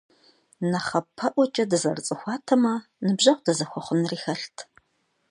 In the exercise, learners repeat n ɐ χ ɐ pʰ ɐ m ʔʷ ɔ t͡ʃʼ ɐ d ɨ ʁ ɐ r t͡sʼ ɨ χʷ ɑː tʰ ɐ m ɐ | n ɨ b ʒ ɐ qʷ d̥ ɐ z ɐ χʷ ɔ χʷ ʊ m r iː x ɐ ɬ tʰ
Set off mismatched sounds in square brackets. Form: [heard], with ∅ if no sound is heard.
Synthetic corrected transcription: n ɐ χ ɐ pʰ ɐ [∅] ʔʷ ɔ t͡ʃʼ ɐ d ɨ [z] ɐ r t͡sʼ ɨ [xʷ] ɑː tʰ ɐ m ɐ | n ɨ b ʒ ɐ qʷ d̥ ɐ z ɐ [xʷ] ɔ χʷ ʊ [n] r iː x ɐ ɬ tʰ